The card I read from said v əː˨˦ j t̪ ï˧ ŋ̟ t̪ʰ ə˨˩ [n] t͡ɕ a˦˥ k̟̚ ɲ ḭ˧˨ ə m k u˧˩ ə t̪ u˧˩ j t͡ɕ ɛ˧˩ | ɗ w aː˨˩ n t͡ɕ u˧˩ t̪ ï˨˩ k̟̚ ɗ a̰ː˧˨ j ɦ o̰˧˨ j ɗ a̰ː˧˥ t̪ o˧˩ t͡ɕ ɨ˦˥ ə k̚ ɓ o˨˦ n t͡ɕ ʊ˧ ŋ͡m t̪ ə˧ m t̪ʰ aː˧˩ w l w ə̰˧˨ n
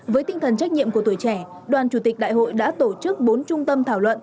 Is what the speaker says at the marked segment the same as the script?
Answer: yes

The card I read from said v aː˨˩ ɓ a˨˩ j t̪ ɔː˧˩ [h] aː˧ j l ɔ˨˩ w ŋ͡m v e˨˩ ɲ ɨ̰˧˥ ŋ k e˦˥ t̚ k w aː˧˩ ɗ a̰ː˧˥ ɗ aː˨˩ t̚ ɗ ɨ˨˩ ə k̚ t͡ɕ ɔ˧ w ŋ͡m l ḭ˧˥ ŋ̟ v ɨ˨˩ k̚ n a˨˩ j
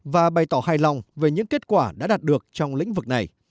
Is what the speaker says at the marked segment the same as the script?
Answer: yes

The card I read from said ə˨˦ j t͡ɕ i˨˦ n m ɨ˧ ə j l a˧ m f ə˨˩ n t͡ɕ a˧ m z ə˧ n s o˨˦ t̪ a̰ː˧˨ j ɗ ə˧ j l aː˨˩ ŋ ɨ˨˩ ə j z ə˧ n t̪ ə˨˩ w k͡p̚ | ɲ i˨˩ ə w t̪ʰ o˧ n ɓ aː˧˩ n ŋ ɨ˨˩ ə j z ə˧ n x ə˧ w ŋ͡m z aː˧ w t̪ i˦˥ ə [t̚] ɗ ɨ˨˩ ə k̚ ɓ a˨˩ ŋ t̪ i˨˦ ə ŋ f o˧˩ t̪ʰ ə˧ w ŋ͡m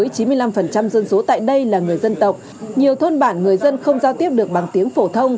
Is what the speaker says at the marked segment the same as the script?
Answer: no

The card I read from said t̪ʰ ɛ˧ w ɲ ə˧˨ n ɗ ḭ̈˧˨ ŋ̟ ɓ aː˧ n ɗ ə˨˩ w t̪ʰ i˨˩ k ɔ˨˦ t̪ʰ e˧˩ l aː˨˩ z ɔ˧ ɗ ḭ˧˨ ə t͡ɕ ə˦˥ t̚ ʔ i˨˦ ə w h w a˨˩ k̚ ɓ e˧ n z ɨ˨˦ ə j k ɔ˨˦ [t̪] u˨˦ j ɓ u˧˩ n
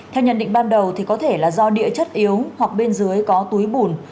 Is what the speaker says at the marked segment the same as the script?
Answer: yes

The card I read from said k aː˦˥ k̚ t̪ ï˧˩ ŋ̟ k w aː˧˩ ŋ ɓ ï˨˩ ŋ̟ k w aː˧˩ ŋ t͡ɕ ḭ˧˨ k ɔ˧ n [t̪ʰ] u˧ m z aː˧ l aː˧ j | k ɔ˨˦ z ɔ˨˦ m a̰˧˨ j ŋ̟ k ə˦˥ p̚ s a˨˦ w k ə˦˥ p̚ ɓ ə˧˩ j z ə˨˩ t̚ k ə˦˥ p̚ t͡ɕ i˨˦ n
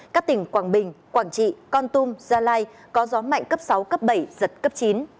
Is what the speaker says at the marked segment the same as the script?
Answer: no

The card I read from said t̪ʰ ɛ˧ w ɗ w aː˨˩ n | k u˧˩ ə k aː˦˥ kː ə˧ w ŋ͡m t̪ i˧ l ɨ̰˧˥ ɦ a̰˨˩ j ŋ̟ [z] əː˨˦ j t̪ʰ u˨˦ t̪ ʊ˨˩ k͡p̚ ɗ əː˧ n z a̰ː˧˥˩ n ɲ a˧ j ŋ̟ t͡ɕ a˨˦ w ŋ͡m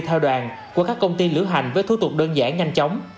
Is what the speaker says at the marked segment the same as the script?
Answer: no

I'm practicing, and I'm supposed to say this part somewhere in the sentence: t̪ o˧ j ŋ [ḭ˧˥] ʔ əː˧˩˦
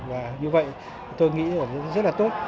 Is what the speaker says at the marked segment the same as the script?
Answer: yes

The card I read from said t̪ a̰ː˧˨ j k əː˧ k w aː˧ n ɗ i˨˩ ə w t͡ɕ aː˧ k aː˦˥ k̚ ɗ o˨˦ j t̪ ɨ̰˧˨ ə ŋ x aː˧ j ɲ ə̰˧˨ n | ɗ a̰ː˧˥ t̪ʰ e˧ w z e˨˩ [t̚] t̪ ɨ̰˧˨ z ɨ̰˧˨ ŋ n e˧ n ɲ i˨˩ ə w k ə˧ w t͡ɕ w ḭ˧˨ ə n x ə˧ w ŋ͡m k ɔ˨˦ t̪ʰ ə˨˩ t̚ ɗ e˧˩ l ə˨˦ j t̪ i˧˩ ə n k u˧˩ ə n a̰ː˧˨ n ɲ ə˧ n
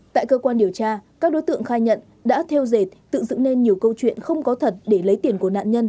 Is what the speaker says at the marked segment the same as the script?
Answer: yes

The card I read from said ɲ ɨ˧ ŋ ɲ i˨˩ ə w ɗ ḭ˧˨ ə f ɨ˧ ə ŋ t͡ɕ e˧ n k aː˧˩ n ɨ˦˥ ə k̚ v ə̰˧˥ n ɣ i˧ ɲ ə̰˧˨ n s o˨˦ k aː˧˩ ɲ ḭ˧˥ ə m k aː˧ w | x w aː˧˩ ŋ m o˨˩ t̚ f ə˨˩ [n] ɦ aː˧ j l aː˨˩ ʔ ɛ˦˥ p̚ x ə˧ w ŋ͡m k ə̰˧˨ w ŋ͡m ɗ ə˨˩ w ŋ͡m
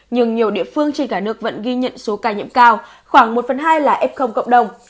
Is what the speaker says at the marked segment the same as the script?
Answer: yes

